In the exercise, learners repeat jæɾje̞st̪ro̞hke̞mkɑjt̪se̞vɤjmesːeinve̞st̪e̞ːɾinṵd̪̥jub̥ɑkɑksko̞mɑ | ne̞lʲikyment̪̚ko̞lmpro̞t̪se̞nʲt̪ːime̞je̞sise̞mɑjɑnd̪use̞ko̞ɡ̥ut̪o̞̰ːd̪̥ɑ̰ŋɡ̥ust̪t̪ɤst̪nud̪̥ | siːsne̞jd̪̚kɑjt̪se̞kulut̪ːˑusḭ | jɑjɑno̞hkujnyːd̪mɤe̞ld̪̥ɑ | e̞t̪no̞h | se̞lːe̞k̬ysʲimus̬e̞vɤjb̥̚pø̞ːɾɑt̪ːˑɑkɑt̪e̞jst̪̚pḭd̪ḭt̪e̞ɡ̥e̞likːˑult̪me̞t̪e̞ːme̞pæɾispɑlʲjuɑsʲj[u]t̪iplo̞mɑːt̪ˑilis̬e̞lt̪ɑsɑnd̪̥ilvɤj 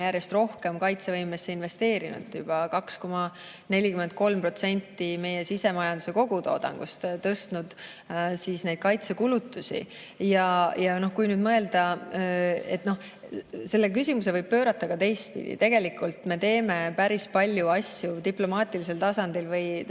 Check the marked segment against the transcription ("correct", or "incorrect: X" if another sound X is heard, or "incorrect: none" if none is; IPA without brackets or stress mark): correct